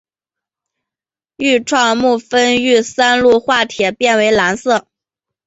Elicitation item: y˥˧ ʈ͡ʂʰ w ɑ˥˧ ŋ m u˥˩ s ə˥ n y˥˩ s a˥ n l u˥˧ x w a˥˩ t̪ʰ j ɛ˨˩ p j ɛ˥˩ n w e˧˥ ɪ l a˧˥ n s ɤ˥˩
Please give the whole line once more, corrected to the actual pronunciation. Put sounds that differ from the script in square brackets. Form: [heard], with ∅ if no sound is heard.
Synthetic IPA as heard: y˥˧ ʈ͡ʂʰ w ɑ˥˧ ŋ m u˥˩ [f] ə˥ n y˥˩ s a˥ n l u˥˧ x w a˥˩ t̪ʰ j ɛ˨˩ p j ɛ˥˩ n w e˧˥ ɪ l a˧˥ n s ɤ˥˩